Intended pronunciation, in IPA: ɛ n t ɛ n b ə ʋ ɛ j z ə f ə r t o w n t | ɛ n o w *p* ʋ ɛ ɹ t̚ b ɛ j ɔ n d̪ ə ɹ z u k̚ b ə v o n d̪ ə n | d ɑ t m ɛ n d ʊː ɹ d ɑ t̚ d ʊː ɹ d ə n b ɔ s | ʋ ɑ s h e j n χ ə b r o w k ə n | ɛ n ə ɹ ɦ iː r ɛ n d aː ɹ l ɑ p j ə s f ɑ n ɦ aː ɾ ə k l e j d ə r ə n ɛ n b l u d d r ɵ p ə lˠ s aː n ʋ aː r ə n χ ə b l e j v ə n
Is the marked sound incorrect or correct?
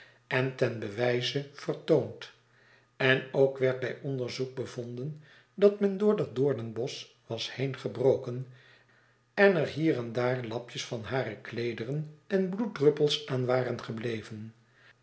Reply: incorrect